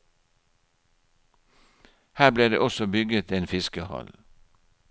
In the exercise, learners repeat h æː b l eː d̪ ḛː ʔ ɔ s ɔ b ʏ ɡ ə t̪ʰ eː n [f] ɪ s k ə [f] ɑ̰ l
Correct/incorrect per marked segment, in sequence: correct, incorrect

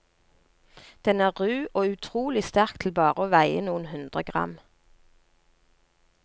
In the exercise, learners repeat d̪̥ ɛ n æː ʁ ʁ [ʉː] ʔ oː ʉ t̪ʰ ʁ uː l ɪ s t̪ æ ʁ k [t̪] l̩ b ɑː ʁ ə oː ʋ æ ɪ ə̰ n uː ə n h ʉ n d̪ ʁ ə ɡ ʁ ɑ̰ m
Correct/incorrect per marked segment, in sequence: correct, incorrect

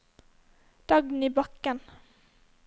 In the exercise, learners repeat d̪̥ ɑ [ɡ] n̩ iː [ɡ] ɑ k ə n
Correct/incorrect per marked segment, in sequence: correct, incorrect

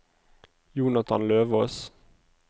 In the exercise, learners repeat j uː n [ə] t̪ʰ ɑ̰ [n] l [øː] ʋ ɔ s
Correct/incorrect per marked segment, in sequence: incorrect, correct, correct

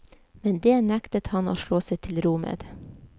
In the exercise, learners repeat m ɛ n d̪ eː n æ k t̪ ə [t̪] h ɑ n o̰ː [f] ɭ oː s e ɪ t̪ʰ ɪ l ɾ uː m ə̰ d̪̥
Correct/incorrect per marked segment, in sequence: correct, incorrect

